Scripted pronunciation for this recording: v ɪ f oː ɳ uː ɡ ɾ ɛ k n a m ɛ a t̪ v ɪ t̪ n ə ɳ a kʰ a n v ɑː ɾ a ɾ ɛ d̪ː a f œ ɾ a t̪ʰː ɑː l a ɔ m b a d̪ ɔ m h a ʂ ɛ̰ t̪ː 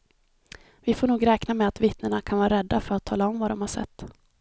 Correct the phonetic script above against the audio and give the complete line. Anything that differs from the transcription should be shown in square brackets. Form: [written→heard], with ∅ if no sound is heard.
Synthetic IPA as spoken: v ɪ f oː ɳ uː ɡ ɾ [ɛ→ɛː] k n a m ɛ a t̪ v ɪ t̪ n ə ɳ a kʰ a n v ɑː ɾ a ɾ ɛ d̪ː a f œ ɾ a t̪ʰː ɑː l a ɔ m [b→v] a d̪ ɔ m h a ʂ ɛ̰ t̪ː